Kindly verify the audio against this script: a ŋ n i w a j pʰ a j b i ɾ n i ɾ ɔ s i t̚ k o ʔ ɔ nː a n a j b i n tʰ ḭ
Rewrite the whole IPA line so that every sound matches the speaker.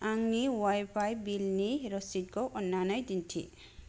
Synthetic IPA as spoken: a ŋ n i w a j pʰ a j b i l n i ɾ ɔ s i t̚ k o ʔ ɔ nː a n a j d i n tʰ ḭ